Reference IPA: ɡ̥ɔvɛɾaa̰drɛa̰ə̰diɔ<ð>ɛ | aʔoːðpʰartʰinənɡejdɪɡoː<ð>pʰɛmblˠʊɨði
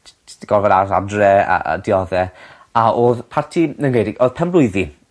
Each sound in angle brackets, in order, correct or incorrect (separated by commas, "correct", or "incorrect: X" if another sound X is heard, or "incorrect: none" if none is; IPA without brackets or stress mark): correct, correct